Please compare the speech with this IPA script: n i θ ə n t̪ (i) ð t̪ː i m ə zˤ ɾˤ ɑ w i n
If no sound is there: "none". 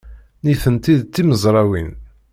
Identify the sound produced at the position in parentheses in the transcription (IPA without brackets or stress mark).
i